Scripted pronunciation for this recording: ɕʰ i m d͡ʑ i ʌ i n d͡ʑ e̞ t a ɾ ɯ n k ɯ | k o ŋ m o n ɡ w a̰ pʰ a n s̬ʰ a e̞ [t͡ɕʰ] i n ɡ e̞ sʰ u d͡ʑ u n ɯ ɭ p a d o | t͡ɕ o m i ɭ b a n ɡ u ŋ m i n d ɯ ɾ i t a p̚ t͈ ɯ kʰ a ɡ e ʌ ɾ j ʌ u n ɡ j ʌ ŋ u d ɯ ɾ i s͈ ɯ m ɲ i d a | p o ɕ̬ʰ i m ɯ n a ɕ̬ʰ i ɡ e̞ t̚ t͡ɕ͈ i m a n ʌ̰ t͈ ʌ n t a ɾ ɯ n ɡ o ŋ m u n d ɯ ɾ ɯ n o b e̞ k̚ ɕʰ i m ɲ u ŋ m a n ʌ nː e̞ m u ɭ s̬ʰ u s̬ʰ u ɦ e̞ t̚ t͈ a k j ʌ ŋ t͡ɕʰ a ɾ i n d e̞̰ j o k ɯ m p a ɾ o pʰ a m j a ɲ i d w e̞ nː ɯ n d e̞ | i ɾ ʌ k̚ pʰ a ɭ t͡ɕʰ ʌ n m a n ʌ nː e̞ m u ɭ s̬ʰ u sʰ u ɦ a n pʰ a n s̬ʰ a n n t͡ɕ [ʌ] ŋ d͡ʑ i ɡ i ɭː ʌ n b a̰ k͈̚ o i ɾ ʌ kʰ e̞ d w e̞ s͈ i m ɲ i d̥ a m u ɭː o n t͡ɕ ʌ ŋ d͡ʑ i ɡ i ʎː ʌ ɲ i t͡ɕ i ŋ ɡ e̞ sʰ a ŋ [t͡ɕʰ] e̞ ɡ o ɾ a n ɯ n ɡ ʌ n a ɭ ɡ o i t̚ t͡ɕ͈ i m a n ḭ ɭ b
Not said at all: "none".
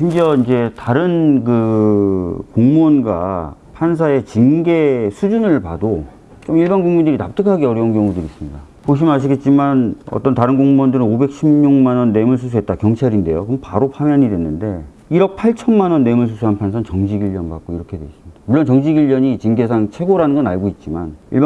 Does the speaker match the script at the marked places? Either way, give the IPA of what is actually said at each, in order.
t͡ɕ, ʌ, t͡ɕʰ

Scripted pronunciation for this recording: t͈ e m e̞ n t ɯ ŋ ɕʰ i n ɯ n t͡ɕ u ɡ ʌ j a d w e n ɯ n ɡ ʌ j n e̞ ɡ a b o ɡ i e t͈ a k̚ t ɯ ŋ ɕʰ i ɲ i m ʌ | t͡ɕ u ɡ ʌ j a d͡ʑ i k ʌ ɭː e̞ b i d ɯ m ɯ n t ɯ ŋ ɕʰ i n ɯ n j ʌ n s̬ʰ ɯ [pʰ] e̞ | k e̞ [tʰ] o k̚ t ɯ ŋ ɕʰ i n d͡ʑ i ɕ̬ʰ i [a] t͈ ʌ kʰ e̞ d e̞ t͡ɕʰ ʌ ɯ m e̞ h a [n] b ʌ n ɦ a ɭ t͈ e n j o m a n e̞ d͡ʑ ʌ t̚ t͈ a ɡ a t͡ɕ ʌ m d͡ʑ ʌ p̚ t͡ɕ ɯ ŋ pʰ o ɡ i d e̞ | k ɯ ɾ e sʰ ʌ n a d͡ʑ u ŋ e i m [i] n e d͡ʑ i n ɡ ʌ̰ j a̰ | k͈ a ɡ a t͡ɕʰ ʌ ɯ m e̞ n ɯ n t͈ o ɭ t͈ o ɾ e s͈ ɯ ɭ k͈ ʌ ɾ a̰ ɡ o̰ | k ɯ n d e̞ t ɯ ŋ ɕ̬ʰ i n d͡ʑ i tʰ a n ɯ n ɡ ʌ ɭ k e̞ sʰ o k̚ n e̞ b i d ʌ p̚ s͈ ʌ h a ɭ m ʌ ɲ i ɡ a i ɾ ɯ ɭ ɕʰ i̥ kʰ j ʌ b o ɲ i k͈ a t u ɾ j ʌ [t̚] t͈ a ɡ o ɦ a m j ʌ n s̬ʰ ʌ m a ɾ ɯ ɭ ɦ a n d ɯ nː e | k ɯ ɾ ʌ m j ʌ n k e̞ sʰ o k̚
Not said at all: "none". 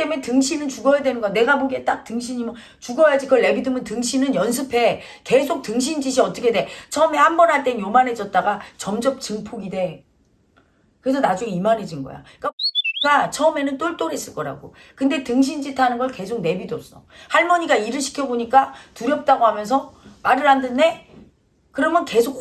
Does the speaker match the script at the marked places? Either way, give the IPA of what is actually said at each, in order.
pʰ, sʰ, ʌ, m, a, p̚

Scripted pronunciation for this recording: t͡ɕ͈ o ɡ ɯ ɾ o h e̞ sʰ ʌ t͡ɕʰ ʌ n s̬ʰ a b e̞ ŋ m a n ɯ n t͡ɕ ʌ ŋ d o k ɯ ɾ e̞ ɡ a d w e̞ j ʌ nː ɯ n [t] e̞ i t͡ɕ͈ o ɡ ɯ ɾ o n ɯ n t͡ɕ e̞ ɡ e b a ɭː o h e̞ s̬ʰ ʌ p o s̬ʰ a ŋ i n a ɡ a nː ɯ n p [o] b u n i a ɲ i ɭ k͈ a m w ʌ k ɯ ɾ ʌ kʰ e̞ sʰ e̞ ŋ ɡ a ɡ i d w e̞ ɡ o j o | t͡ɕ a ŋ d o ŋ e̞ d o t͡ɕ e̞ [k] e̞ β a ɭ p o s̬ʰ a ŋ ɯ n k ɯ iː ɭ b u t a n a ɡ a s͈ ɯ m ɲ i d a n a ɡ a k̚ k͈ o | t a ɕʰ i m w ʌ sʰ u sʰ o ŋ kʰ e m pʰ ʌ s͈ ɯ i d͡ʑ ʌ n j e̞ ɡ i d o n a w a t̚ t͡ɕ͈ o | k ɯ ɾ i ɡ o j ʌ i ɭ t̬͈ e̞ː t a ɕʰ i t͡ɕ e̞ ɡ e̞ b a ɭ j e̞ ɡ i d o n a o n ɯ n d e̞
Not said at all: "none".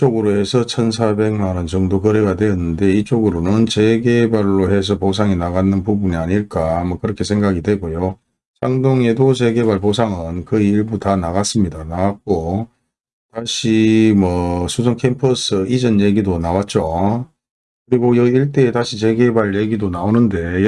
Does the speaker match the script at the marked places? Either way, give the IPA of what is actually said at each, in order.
d, u, ɡ

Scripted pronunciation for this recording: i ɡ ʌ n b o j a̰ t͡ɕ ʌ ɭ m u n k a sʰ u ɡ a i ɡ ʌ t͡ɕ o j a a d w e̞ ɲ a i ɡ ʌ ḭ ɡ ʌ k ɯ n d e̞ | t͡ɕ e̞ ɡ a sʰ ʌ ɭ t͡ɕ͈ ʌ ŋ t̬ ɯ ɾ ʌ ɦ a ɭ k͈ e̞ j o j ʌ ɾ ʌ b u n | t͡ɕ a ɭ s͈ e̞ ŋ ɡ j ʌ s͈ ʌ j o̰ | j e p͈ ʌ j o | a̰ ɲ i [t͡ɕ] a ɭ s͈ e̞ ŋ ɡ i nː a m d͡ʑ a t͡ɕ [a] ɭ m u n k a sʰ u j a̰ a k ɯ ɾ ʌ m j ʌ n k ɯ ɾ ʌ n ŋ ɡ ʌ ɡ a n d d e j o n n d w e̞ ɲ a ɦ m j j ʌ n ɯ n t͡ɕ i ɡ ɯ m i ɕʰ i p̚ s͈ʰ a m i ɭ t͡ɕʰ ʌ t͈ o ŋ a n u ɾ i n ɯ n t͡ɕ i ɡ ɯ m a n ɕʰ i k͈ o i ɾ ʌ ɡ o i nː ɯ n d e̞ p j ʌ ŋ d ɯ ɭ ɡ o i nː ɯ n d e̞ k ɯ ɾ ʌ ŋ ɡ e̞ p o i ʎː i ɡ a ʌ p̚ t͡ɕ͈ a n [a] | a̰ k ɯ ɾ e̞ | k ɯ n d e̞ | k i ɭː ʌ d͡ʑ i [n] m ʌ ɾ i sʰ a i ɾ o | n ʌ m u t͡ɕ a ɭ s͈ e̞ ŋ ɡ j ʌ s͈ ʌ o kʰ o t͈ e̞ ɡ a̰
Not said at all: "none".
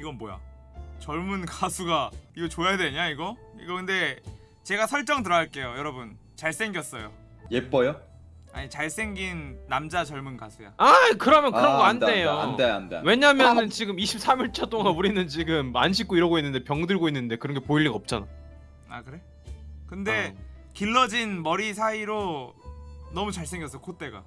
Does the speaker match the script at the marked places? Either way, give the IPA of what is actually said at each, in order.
t͡ɕ, ʌ, a, n

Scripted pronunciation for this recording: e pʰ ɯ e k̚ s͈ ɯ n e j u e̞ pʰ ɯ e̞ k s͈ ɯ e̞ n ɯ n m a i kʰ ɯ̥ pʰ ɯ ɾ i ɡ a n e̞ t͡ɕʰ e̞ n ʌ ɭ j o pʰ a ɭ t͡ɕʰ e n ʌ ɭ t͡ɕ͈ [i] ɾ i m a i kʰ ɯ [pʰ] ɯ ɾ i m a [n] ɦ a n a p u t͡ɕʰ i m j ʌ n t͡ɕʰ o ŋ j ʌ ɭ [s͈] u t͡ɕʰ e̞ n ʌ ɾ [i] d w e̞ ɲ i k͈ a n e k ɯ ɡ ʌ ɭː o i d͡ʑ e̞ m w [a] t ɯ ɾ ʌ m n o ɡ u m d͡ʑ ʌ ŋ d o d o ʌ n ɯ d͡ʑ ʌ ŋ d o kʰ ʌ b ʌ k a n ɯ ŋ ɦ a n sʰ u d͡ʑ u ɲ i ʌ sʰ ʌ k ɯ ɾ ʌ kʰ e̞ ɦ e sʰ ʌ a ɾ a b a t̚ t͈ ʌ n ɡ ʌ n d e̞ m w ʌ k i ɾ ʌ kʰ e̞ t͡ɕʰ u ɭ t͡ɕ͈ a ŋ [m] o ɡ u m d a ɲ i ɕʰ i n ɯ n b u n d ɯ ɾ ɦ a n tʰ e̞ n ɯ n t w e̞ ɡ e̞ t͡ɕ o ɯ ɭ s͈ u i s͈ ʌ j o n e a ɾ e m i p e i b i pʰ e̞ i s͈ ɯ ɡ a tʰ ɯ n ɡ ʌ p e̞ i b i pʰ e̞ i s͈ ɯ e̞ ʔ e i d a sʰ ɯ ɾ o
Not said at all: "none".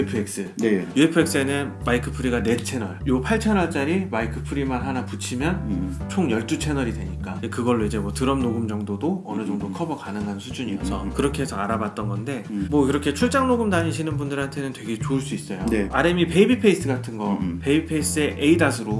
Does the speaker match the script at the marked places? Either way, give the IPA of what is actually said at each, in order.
a, pʰ, n, t͈, i, ʌ, n

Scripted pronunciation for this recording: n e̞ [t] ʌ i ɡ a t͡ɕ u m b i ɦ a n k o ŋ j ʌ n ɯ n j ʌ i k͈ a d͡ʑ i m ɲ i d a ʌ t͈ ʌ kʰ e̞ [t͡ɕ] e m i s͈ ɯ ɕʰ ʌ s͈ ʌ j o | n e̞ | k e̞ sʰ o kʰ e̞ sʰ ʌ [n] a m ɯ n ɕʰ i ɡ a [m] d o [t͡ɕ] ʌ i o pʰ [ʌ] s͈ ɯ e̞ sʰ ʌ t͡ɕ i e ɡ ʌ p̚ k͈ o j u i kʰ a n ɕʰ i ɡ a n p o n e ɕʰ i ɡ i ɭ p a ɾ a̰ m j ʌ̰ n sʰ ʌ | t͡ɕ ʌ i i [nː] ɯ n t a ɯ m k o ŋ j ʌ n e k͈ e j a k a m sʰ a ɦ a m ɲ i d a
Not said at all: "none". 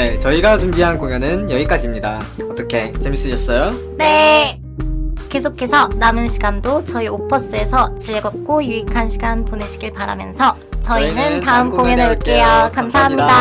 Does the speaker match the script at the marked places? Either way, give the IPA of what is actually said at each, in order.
t͡ɕ, t͡ɕ, n, n, t͡ɕ, ʌ, n

